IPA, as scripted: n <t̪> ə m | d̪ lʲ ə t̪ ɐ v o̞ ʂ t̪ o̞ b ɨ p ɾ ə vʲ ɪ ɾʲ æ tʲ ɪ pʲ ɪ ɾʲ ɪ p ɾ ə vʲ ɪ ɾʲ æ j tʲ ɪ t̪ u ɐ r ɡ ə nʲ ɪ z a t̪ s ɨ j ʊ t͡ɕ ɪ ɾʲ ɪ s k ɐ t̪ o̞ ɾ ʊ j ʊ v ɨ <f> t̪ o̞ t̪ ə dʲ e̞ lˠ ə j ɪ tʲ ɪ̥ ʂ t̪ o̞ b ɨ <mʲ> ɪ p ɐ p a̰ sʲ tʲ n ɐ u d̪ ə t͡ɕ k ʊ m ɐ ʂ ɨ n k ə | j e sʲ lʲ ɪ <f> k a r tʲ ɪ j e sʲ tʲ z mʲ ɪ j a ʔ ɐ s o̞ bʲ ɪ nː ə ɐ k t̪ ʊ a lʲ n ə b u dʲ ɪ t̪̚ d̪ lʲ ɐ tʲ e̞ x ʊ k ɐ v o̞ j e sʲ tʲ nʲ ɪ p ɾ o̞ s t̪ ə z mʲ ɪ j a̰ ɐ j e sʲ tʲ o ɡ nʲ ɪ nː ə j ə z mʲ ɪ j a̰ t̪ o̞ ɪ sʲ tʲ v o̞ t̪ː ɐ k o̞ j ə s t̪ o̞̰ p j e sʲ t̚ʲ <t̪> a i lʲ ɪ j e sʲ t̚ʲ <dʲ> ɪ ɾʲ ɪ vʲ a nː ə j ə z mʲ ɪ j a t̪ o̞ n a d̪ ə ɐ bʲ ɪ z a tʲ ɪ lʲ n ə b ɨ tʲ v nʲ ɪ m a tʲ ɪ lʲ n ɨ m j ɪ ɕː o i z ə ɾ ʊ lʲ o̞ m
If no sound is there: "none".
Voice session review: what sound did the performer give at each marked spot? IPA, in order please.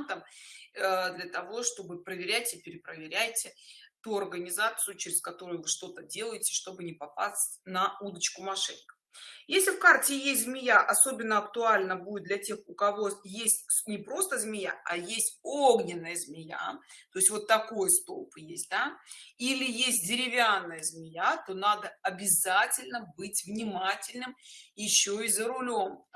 t̪, ʂ, nʲ, f, d̪, dʲ

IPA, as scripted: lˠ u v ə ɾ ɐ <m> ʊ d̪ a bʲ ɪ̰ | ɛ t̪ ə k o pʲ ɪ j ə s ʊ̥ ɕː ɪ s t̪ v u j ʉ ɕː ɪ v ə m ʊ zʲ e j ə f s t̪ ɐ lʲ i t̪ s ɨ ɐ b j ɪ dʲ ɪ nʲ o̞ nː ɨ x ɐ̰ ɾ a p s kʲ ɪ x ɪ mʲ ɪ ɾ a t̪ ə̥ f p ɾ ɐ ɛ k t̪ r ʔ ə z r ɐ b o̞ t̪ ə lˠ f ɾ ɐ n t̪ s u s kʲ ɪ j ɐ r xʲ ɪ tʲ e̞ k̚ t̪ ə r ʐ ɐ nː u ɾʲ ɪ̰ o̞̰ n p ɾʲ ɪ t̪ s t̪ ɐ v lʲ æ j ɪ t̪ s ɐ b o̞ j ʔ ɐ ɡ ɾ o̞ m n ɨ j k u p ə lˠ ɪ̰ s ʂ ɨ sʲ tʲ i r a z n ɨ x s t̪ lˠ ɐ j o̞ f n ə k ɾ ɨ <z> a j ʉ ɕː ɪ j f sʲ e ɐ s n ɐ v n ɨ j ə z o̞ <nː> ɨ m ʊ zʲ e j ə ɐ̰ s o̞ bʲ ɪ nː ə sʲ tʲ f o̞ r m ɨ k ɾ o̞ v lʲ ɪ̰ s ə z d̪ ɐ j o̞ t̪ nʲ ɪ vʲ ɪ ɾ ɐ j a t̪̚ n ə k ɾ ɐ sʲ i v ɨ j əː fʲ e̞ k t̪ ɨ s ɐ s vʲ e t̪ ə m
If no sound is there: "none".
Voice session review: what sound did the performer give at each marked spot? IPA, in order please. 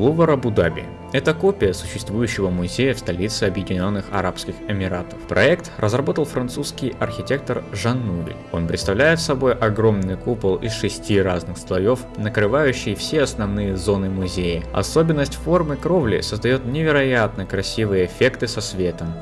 b, v, n

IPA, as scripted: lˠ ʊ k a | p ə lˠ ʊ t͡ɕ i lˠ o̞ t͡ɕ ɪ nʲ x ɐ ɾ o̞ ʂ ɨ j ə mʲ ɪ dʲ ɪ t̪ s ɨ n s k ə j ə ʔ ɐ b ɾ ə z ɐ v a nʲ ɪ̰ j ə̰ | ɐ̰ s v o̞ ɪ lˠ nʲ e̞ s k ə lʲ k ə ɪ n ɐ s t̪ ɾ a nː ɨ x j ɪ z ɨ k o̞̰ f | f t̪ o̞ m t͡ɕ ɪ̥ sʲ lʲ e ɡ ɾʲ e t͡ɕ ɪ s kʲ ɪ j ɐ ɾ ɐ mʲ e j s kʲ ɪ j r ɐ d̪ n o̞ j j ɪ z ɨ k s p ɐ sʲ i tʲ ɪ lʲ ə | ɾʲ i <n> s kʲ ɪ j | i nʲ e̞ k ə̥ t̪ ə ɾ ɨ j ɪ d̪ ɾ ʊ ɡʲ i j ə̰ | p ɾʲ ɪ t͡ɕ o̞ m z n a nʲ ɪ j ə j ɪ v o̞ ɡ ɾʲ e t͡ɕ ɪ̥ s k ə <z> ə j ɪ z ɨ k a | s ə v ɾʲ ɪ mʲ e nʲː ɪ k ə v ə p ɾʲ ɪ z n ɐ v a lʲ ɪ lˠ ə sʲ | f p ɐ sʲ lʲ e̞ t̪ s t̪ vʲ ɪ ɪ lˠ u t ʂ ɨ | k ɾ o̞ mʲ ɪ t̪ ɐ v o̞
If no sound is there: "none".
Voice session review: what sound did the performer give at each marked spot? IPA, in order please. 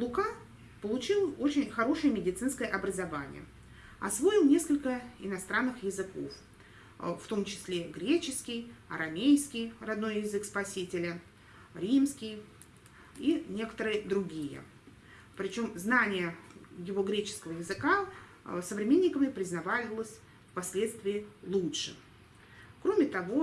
m, v

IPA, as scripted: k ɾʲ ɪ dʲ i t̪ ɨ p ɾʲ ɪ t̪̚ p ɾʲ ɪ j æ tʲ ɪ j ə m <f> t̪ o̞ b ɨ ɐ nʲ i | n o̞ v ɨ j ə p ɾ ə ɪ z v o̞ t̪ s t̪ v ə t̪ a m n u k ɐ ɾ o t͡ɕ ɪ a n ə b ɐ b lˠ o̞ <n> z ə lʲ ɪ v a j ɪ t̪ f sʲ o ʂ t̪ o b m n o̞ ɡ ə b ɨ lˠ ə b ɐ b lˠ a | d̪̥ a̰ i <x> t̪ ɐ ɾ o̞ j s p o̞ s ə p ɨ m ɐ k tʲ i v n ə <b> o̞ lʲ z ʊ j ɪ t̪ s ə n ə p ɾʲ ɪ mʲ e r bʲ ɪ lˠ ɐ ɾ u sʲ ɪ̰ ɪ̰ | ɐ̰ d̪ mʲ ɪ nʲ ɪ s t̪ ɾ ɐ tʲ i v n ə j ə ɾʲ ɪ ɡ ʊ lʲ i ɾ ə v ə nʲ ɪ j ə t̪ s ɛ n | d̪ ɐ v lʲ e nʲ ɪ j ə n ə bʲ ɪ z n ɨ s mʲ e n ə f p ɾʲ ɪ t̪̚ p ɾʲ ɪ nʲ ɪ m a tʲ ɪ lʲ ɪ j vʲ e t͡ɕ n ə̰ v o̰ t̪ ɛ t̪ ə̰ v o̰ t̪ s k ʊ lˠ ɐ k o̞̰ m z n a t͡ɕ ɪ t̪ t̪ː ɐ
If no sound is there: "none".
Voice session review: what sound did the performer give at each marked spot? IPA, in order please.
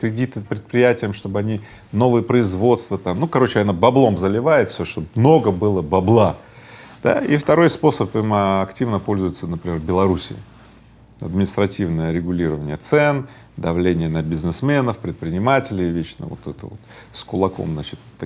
ʂ, m, f, p

